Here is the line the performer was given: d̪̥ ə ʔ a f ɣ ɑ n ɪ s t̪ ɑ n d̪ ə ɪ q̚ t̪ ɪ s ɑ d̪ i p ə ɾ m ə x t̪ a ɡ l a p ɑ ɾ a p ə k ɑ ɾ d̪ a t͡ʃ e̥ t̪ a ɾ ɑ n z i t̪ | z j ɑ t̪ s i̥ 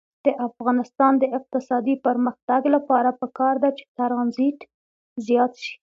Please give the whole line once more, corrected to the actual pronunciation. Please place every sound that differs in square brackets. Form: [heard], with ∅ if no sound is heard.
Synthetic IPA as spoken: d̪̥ ə ʔ a f ɣ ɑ n ɪ s t̪ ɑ n d̪ ə ɪ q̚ t̪ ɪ s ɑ d̪ i p ə ɾ m ə x t̪ a ɡ l a p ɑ ɾ a p ə k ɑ ɾ d̪ a t͡ʃ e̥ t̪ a ɾ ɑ n z i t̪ | z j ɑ t̪ [ʃ] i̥